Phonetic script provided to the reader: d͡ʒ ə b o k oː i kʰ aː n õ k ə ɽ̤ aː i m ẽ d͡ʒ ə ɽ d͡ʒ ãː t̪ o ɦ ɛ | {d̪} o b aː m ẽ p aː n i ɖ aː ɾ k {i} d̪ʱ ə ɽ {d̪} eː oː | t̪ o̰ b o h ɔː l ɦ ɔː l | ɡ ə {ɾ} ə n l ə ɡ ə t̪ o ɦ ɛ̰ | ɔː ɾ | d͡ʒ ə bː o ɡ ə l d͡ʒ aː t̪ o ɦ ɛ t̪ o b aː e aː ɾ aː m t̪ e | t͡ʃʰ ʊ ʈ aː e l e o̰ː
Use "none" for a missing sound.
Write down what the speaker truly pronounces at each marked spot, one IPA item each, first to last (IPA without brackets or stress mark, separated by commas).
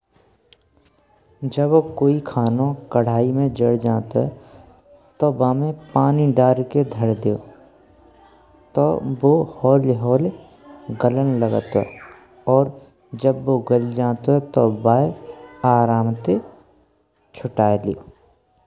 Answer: t̪, e, d̪, l